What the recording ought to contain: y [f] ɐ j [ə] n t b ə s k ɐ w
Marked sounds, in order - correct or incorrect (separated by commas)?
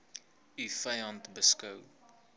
correct, incorrect